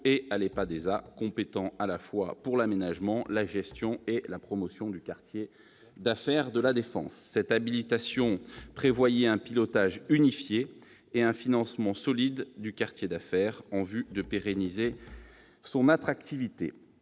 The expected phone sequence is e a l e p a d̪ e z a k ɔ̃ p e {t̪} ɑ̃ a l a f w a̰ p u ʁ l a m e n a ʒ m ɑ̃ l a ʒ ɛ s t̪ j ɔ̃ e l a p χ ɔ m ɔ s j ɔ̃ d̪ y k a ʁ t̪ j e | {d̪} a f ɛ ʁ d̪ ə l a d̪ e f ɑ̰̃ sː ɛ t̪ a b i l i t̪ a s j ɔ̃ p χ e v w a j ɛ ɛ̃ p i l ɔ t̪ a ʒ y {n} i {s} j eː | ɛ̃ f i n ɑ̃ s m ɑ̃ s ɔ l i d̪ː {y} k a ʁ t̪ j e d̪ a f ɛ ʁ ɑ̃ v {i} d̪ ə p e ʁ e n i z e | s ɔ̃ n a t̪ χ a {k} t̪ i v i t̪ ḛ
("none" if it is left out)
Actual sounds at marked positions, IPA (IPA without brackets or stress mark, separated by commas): t̪, d̪, n, f, y, y, k